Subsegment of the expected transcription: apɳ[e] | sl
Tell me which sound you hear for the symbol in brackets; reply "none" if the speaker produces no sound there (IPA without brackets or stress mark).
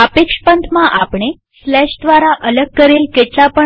e